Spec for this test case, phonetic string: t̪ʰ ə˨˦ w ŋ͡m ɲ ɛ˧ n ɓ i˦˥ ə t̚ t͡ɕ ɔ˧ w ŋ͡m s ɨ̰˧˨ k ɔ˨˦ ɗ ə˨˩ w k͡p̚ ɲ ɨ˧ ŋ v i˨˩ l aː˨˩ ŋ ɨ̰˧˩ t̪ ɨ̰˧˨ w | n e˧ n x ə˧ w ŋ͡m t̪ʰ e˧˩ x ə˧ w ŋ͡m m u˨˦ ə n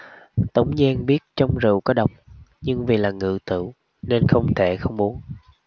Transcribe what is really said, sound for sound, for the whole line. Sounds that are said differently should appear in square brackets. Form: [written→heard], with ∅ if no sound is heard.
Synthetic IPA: [t̪ʰ→t̪] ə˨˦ w ŋ͡m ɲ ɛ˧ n ɓ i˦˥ ə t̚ t͡ɕ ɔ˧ w ŋ͡m [s→z] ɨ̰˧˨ k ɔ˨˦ ɗ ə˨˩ w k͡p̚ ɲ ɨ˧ ŋ v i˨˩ l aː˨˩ ŋ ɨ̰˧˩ t̪ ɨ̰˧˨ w | n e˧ n x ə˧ w ŋ͡m t̪ʰ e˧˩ x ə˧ w ŋ͡m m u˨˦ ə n

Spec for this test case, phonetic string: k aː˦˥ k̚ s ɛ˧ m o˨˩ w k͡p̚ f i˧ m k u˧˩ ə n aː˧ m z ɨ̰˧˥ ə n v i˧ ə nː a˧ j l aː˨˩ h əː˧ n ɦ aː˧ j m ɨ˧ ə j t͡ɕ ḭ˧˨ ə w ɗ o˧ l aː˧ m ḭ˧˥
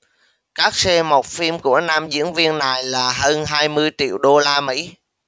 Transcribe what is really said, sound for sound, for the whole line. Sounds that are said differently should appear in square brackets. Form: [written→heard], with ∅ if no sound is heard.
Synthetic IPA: k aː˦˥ k̚ s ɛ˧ m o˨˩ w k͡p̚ f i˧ m k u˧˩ ə n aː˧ m z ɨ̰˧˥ ə n v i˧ ə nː [a˧→a˨˩] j l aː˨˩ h əː˧ n ɦ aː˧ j m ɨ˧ ə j t͡ɕ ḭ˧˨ ə w ɗ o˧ l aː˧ m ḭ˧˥

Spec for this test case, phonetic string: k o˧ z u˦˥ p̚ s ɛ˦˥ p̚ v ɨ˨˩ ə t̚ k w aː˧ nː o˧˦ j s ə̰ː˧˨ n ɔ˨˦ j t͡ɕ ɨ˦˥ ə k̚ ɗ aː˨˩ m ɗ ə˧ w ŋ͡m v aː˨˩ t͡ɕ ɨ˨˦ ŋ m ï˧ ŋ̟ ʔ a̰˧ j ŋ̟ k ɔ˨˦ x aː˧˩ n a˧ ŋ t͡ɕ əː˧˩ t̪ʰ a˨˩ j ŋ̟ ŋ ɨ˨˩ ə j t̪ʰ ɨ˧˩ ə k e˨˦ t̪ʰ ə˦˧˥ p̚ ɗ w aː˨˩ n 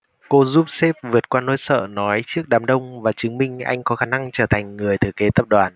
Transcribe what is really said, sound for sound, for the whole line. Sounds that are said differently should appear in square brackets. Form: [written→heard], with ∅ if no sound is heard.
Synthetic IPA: k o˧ z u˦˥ p̚ s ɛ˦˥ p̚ v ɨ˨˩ ə t̚ k w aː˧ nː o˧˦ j s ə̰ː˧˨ n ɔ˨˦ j t͡ɕ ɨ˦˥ ə k̚ ɗ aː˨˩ m ɗ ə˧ w ŋ͡m v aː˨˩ t͡ɕ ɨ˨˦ ŋ m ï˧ ŋ̟ ʔ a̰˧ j ŋ̟ k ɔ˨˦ x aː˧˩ n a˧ ŋ t͡ɕ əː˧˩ t̪ʰ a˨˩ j ŋ̟ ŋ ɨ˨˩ ə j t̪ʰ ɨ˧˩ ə k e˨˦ [t̪ʰ→t̪] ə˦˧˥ p̚ ɗ w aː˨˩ n

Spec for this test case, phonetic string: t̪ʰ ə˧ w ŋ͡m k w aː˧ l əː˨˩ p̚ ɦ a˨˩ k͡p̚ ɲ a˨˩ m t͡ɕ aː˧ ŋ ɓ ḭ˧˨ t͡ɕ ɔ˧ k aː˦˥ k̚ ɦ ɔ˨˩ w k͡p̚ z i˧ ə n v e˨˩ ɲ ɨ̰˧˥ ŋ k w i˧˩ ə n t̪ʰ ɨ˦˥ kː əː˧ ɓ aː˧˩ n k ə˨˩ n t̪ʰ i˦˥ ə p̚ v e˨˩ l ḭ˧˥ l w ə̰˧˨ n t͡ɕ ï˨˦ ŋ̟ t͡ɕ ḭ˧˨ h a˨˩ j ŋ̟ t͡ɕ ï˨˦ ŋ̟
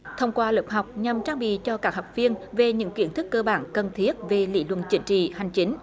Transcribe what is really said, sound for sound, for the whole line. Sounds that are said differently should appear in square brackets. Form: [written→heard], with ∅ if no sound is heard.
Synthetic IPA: t̪ʰ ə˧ w ŋ͡m k w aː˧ l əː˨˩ p̚ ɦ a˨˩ k͡p̚ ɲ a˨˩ m t͡ɕ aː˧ ŋ ɓ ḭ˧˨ t͡ɕ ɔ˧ k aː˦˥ k̚ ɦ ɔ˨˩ w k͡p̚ [z→v] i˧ ə n v e˨˩ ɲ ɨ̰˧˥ ŋ k w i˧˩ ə n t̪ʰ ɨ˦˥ kː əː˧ ɓ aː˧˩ n k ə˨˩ n t̪ʰ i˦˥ ə [p̚→t̚] v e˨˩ l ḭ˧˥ l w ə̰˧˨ n t͡ɕ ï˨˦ ŋ̟ t͡ɕ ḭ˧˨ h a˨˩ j ŋ̟ t͡ɕ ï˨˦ ŋ̟

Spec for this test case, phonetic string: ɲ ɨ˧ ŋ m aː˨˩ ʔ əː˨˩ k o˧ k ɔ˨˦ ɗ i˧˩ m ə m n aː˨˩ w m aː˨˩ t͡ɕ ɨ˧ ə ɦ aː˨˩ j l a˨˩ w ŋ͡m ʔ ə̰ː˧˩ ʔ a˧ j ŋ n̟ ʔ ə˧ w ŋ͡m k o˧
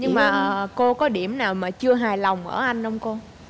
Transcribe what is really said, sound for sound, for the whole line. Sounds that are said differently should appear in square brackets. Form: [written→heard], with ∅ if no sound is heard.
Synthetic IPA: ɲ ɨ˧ ŋ m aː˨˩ ʔ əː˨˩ k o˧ k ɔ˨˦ ɗ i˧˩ [m→∅] ə m n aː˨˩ w m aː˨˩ t͡ɕ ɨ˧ ə ɦ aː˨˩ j l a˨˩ w ŋ͡m ʔ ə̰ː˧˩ ʔ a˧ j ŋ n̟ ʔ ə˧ w ŋ͡m k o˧

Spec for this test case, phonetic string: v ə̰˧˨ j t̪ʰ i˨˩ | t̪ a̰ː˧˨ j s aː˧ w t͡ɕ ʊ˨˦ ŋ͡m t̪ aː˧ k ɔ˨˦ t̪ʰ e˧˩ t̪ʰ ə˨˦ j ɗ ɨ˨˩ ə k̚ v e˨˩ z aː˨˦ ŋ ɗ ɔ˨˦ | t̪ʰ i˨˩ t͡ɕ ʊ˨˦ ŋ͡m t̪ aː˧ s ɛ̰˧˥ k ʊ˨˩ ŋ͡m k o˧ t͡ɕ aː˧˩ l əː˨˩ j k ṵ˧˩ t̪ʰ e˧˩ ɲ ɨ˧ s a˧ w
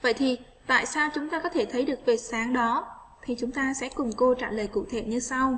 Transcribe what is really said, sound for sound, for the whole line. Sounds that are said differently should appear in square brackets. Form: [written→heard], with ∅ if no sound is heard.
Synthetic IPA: v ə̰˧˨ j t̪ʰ i˨˩ | t̪ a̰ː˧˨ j s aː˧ w t͡ɕ ʊ˨˦ ŋ͡m t̪ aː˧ k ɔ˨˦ t̪ʰ e˧˩ t̪ʰ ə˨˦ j ɗ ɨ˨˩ ə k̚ v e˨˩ [z→s] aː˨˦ ŋ ɗ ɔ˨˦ | t̪ʰ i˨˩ t͡ɕ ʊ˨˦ ŋ͡m t̪ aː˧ s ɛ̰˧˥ k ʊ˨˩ ŋ͡m k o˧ t͡ɕ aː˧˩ l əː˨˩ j k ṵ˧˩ t̪ʰ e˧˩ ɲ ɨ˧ s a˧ w

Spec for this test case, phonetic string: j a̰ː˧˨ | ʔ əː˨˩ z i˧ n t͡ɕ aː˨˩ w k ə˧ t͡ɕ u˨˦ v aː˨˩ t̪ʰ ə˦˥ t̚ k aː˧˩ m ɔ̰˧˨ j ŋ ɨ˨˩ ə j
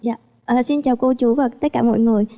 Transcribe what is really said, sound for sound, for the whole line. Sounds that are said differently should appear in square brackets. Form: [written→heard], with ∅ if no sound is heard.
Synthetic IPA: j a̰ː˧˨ | ʔ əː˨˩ [z→s] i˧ n t͡ɕ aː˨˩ w k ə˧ t͡ɕ u˨˦ v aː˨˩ [t̪ʰ→t̪] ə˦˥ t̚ k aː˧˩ m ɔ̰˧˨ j ŋ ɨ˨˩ ə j

